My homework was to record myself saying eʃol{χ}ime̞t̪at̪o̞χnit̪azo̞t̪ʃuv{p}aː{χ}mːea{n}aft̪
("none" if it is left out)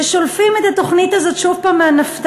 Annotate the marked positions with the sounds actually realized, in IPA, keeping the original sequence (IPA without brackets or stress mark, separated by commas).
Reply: f, p, none, n